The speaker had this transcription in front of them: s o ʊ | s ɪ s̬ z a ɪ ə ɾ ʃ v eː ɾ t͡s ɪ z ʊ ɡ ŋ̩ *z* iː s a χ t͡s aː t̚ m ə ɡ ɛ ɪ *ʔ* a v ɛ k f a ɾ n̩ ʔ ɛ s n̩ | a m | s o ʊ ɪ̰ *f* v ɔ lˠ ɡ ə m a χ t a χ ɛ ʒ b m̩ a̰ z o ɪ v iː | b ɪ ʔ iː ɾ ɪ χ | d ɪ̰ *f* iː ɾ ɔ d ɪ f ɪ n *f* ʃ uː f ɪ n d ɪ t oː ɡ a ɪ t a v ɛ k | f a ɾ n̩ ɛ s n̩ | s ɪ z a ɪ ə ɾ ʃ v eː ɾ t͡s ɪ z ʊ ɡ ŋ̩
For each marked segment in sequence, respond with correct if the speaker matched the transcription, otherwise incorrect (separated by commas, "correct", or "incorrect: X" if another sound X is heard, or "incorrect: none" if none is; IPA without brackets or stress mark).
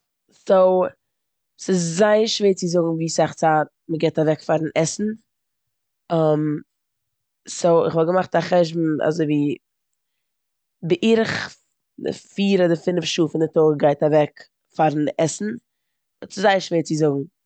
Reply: incorrect: v, incorrect: t, incorrect: χ, correct, correct